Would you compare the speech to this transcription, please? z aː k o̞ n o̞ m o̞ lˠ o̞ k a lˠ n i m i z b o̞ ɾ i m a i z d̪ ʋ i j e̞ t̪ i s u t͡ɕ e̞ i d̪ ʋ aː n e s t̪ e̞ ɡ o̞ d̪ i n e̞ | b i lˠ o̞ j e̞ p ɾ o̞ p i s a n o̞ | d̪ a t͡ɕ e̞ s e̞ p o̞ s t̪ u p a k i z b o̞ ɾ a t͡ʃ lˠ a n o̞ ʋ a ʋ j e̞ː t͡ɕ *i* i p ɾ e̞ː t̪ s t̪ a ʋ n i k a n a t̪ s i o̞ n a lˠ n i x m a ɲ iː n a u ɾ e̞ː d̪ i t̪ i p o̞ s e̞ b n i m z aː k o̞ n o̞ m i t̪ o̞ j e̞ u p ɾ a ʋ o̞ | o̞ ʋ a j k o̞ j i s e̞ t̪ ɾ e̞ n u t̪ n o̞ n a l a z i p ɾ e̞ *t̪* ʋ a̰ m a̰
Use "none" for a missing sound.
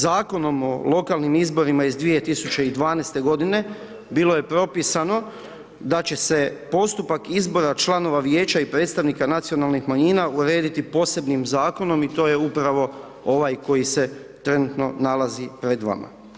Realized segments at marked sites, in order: a, d̪

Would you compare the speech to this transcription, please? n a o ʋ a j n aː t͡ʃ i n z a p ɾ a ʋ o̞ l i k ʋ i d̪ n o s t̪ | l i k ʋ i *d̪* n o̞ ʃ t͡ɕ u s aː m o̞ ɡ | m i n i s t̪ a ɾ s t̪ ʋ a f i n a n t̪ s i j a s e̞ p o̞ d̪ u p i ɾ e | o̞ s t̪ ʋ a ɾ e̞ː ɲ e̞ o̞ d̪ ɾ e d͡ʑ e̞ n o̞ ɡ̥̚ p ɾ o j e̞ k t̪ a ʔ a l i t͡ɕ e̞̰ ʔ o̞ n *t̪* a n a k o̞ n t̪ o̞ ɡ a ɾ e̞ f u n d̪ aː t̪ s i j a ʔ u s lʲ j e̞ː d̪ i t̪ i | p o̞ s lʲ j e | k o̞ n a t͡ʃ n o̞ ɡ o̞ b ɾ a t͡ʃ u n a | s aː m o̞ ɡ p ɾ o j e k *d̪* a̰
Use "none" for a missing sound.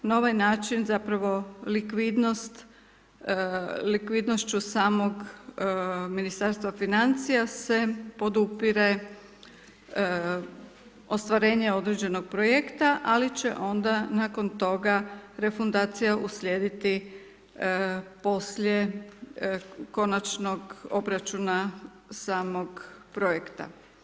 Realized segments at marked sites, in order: d̪, d̪, t̪

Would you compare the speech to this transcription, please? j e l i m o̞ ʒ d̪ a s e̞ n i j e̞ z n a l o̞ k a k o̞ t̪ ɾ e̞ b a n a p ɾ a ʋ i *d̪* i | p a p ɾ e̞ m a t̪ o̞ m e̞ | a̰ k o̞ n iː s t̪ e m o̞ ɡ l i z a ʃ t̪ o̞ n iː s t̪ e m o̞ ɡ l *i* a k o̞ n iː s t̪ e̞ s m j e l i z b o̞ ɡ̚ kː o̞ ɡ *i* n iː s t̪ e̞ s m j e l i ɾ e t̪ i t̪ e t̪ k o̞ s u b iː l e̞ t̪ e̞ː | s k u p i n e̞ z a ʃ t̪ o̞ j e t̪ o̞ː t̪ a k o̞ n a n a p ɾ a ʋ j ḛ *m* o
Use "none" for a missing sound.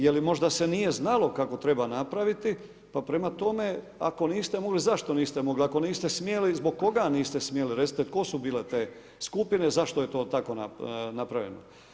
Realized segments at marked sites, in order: t̪, i, a, n

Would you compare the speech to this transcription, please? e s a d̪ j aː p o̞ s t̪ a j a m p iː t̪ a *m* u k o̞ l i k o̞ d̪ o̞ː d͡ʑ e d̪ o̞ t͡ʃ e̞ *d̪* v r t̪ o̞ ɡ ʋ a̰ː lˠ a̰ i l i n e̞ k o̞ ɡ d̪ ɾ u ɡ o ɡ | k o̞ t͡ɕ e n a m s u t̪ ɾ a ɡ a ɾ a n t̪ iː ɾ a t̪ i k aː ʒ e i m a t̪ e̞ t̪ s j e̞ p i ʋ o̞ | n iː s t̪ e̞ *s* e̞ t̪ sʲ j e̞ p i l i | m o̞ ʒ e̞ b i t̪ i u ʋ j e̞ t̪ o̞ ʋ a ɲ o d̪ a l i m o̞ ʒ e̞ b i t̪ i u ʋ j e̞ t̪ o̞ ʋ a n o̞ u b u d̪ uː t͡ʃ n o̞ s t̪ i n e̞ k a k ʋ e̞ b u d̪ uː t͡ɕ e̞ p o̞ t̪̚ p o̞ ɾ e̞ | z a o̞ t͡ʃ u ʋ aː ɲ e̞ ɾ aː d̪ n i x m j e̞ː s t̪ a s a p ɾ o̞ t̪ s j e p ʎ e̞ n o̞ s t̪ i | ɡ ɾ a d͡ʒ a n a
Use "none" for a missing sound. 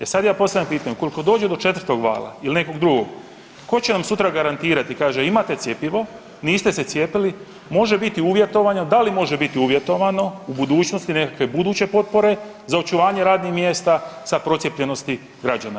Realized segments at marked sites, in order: ɲ, t̪, s

